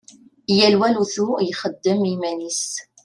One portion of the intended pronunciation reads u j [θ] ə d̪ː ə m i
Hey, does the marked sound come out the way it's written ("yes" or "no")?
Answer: no